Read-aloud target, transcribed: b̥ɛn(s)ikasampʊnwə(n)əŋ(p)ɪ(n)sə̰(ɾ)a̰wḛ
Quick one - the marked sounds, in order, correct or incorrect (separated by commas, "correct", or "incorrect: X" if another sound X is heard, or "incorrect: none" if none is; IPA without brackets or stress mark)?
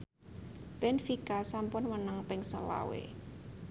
incorrect: f, correct, correct, incorrect: ŋ, incorrect: l